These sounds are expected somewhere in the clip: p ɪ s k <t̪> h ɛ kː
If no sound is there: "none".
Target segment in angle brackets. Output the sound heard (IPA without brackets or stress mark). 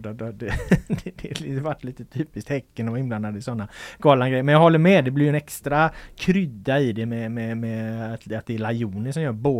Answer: t̪